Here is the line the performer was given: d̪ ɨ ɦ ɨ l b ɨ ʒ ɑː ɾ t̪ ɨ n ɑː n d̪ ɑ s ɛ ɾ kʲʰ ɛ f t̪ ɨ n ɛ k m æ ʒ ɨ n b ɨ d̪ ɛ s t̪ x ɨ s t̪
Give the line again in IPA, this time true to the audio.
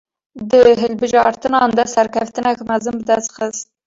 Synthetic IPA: d̪ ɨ ɦ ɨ l b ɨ ʒ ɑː ɾ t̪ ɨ n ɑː n d̪ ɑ s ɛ ɾ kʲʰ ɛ f t̪ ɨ n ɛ k m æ z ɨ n b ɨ d̪ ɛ s t̪ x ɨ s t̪